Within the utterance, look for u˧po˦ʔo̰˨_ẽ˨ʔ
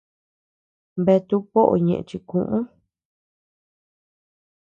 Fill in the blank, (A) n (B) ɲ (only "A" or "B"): B